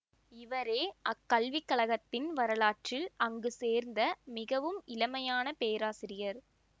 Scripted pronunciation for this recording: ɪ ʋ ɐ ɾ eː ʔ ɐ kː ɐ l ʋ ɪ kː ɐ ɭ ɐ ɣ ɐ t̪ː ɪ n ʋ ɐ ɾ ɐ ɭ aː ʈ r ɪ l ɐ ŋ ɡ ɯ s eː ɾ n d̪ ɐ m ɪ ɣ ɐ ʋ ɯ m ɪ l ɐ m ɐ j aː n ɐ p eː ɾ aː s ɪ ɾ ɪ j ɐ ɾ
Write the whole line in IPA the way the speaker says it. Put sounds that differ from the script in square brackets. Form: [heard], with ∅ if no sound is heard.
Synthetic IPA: ɪ ʋ ɐ ɾ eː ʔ ɐ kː ɐ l ʋ ɪ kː ɐ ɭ ɐ ɣ ɐ t̪ː ɪ n ʋ ɐ ɾ ɐ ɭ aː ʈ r ɪ l ɐ ŋ ɡ ɯ s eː ɾ n d̪ ɐ m ɪ ɣ ɐ ʋ ɯ m ɪ l ɐ m ɐ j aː n ɐ p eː ɾ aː s ɪ ɾ ɪ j ɐ ɾ